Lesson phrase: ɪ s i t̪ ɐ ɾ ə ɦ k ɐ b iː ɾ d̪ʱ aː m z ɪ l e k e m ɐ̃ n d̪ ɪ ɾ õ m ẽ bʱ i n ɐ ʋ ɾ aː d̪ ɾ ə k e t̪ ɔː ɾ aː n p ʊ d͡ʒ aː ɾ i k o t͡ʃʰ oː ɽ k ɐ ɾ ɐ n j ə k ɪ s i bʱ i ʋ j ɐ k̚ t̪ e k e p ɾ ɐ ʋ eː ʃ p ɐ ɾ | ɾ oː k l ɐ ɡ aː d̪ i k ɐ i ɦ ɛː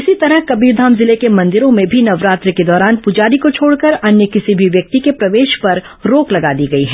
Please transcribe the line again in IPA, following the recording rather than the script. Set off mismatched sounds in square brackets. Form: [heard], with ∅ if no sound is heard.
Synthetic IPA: ɪ s i t̪ ɐ ɾ ə ɦ k ɐ b iː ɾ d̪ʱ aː m z ɪ l e k e m ɐ̃ n d̪ ɪ ɾ õ m ẽ bʱ i n ɐ ʋ ɾ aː [t̪] ɾ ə k e [d̪] ɔː ɾ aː n p ʊ d͡ʒ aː ɾ i k o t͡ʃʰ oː ɽ k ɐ ɾ ɐ n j ə k ɪ s i bʱ i ʋ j ɐ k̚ t̪ [i] k e p ɾ ɐ ʋ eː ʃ p ɐ ɾ | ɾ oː k l ɐ ɡ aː d̪ i [ɡ] ɐ i ɦ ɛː

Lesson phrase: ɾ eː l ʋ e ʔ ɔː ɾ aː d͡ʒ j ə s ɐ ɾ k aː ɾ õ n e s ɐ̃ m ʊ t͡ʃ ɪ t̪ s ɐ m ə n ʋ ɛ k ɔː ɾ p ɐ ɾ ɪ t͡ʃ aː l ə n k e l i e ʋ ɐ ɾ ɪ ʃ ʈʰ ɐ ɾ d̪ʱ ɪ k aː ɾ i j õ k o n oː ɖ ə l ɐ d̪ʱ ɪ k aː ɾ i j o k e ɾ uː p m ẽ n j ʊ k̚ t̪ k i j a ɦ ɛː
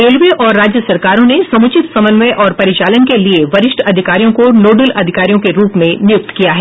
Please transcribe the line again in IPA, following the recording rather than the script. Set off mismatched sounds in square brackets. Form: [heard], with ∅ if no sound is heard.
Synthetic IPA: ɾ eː l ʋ e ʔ ɔː [ɾː] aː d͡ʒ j ə s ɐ ɾ k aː ɾ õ n e s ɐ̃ m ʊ t͡ʃ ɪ t̪ s ɐ m ə n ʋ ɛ [ʔ] ɔː ɾ p ɐ ɾ ɪ t͡ʃ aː l ə n k e l i e ʋ ɐ ɾ ɪ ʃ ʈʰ ɐ [∅] d̪ʱ ɪ k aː ɾ i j õ k o n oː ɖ ə l ɐ d̪ʱ ɪ k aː ɾ i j [õ] k e ɾ uː p m ẽ n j ʊ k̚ t̪ k i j a ɦ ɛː

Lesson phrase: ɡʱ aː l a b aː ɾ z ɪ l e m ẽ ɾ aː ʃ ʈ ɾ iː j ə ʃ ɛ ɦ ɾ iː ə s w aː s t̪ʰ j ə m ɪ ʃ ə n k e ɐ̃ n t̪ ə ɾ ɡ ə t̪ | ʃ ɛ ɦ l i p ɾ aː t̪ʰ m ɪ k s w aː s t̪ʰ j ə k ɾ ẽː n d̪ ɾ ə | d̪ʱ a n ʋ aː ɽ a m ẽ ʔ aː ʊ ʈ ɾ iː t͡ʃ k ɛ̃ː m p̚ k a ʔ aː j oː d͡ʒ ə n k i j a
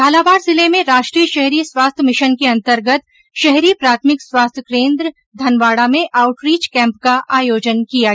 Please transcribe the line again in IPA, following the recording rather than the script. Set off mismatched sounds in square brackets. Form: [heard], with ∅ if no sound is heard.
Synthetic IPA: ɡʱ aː l a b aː ɾ z ɪ l e m ẽ ɾ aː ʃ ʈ ɾ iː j ə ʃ ɛ ɦ ɾ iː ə s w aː s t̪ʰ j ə m ɪ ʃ ə n k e ɐ̃ n t̪ ə ɾ ɡ ə t̪ | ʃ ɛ ɦ [ɾ] i p ɾ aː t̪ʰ m ɪ k s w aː s t̪ʰ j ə k ɾ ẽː n d̪ ɾ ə | d̪ʱ [ɐ] n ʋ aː ɽ a m ẽ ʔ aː ʊ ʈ ɾ iː t͡ʃ k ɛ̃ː m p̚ k a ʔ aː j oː d͡ʒ ə n k i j a

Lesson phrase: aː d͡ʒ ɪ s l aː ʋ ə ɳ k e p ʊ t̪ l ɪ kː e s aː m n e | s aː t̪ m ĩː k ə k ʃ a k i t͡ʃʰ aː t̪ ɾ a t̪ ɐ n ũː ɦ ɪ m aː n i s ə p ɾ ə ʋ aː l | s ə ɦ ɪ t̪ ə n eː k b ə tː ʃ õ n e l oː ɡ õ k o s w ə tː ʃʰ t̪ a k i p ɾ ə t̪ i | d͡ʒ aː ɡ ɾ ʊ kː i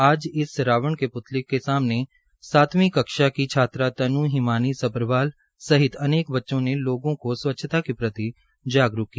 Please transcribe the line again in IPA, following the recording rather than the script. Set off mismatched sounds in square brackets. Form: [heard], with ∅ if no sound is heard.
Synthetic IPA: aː d͡ʒ ɪ s [ɾ] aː ʋ ə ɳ k e p ʊ t̪ l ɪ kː e s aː m n e | s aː t̪ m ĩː k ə k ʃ a k i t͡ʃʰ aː t̪ ɾ a t̪ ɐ n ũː ɦ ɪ m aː n i s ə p ɾ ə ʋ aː l | s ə ɦ ɪ t̪ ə n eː k b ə tː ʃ õ n e l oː ɡ õ k o s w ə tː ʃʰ t̪ a k i p ɾ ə t̪ i | d͡ʒ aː ɡ ɾ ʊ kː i

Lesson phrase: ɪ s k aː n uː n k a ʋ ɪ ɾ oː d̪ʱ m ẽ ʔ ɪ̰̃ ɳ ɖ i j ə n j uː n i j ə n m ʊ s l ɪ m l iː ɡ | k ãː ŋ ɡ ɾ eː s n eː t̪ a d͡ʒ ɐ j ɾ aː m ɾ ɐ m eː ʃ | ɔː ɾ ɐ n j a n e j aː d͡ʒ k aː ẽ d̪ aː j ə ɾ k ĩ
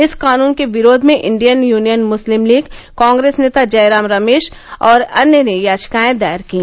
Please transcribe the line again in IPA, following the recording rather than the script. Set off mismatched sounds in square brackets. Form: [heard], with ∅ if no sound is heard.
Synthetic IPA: ɪ s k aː n uː n k [e] ʋ ɪ ɾ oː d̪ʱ m ẽ ʔ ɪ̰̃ ɳ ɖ i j ə n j uː n i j ə n m ʊ s l ɪ m l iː ɡ | k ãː ŋ ɡ ɾ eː s n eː t̪ a d͡ʒ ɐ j ɾ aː m ɾ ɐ m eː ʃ | ɔː ɾ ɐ n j [ə] n e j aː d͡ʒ k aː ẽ d̪ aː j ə ɾ k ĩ

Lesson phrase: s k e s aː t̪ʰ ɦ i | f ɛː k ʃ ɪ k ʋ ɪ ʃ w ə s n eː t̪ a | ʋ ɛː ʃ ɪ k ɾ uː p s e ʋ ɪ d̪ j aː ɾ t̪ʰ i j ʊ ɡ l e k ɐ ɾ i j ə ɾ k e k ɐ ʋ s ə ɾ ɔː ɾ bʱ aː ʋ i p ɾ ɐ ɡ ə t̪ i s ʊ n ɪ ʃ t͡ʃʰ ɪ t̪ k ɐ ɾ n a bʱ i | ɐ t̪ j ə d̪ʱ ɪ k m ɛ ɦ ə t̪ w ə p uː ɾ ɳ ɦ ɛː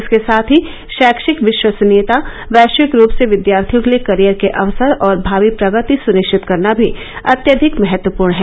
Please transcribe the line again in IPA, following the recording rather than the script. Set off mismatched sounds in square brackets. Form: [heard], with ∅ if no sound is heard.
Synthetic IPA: s k e s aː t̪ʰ ɦ i | [ʃ] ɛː k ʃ ɪ k ʋ ɪ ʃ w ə s n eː t̪ a | ʋ ɛː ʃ ɪ k ɾ uː p s e ʋ ɪ d̪ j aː ɾ t̪ʰ i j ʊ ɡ l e k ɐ ɾ i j ə ɾ k e [ʔ] ɐ ʋ s ə ɾ ɔː ɾ bʱ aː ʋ i p ɾ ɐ ɡ ə t̪ i s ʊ n ɪ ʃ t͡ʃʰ ɪ t̪ k ɐ ɾ n a bʱ i | ɐ t̪ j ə d̪ʱ ɪ k m ɛ ɦ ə t̪ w ə p uː ɾ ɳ ɦ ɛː

